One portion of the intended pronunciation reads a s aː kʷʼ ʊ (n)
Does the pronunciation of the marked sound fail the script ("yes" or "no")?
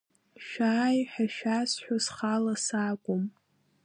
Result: yes